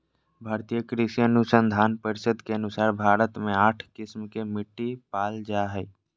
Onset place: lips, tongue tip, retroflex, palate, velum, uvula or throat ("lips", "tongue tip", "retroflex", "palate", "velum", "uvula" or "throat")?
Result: lips